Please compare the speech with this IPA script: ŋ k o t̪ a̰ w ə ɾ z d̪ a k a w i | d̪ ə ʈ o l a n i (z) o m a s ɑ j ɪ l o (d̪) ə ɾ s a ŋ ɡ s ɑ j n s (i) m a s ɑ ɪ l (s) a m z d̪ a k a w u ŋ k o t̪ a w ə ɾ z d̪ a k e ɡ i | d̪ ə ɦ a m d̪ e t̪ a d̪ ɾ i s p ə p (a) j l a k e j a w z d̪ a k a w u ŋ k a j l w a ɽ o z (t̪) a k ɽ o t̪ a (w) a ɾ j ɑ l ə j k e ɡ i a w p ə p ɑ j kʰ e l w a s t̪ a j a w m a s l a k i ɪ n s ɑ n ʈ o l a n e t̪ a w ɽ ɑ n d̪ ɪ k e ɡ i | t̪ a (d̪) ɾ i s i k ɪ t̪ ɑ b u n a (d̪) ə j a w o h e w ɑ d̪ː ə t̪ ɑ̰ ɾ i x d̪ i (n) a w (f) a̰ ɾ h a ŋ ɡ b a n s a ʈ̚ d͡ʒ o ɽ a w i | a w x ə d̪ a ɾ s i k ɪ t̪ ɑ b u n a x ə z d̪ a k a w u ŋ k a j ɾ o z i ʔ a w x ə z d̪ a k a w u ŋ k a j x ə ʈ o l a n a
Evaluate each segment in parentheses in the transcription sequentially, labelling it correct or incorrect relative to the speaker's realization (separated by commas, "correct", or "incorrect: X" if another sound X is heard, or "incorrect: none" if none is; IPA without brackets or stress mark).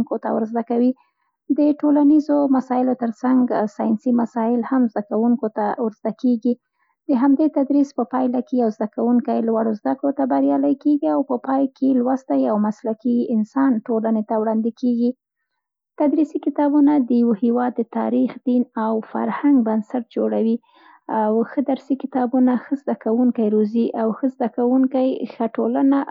correct, incorrect: t̪, correct, incorrect: h, incorrect: ɑ, incorrect: d̪, incorrect: b, correct, correct, correct, correct